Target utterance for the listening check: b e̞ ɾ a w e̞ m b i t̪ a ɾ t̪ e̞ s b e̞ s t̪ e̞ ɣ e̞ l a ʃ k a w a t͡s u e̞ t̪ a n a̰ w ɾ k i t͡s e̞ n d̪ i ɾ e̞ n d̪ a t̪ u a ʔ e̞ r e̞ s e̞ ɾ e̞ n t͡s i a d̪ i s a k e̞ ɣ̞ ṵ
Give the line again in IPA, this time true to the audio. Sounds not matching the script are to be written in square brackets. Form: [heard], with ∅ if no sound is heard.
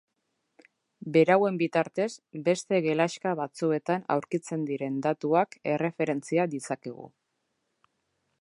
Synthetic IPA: b e̞ ɾ a w e̞ m b i t̪ a ɾ t̪ e̞ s b e̞ s t̪ e̞ ɣ e̞ l a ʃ k a [β] a t͡s u e̞ t̪ a n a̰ w ɾ k i t͡s e̞ n d̪ i ɾ e̞ n d̪ a t̪ u a [k] e̞ r e̞ [f] e̞ ɾ e̞ n t͡s i a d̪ i s a k e̞ ɣ̞ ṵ